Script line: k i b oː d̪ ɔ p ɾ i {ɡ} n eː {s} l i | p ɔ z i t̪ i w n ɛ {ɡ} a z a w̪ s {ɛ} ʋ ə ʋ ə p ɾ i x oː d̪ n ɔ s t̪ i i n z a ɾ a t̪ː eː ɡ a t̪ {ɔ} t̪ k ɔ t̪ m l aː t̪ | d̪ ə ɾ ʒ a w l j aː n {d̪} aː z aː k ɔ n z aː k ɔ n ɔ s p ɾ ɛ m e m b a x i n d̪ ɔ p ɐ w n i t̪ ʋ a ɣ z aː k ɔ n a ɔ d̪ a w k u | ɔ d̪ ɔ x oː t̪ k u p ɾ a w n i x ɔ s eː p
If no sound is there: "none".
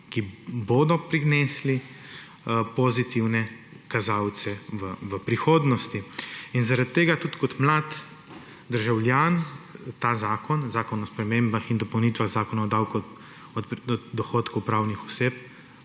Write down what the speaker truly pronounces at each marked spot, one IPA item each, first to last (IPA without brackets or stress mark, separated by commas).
ɡ, s, k, ɛ, u, t̪